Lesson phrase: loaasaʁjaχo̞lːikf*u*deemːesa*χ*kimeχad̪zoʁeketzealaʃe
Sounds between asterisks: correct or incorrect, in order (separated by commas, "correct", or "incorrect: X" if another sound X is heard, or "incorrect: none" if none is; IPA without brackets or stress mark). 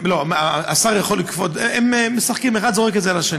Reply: incorrect: o, correct